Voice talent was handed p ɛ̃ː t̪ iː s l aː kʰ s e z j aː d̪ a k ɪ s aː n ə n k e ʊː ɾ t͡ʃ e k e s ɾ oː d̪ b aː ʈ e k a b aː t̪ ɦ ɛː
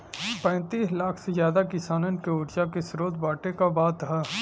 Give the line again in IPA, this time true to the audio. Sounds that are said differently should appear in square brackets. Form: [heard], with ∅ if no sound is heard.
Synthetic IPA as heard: p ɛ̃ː t̪ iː s l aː kʰ s e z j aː d̪ a k ɪ s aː n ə n k e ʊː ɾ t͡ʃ [a] k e s ɾ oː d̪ b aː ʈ e k a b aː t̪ ɦ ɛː